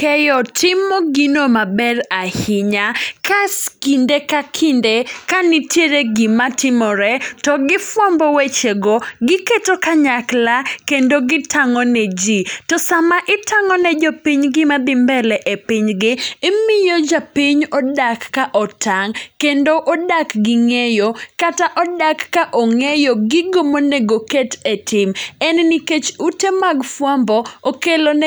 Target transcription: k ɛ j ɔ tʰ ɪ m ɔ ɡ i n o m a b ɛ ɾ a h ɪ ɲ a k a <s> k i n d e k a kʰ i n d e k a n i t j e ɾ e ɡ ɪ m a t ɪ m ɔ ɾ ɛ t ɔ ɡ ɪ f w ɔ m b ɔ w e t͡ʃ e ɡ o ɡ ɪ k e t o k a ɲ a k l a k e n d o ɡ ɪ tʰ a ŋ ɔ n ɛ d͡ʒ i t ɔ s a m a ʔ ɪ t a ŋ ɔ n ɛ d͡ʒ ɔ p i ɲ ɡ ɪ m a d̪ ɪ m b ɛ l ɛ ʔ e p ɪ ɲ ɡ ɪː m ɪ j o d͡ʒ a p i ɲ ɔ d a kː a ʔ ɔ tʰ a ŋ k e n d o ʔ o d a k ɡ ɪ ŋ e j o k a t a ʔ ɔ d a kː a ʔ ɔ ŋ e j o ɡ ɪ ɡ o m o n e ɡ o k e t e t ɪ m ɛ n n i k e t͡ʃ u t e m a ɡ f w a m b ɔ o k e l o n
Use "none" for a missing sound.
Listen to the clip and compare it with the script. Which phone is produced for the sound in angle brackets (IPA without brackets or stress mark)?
s